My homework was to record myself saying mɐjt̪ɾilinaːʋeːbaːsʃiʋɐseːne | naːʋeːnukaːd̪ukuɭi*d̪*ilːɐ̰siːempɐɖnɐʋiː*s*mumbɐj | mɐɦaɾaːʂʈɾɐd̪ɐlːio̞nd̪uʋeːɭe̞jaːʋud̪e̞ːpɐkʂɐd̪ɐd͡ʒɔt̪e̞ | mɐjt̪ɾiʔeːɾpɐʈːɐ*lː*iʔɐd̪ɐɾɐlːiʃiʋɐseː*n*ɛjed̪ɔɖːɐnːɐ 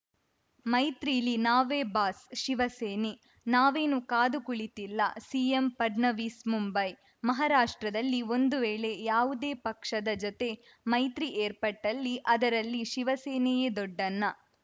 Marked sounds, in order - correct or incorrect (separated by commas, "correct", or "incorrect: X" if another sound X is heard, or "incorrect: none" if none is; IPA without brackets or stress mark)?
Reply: incorrect: t̪, correct, correct, correct